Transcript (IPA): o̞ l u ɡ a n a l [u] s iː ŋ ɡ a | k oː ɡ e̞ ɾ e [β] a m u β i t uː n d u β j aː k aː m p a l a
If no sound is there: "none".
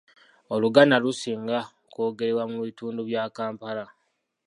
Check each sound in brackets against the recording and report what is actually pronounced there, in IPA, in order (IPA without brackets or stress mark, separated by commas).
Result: u, w